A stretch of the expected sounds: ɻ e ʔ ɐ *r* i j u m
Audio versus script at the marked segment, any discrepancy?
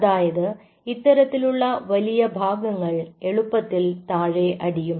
yes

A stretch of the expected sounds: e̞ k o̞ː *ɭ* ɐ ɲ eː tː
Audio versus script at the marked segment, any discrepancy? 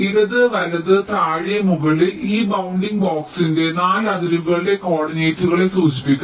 yes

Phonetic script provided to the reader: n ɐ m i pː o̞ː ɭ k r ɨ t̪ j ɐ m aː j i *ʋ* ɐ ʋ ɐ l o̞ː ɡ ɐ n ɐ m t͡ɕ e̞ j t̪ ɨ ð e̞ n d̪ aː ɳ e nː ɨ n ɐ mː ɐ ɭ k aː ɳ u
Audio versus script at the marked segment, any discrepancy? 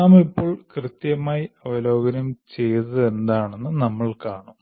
yes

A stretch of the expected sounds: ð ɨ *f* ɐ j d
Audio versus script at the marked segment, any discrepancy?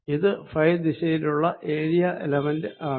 no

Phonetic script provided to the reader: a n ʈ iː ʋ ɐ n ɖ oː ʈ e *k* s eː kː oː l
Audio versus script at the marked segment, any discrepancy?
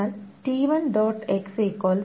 no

